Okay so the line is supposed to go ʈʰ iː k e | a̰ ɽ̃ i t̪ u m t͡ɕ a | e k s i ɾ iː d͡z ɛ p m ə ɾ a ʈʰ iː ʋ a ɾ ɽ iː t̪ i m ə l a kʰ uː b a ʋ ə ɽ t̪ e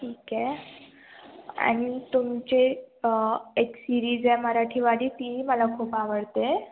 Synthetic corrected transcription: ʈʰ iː k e | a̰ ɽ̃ i t̪ u m t͡ɕ e | e k s i ɾ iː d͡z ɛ m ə ɾ a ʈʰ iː ʋ a ɽ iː t̪ i m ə l a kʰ uː p a ʋ ə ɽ t̪ e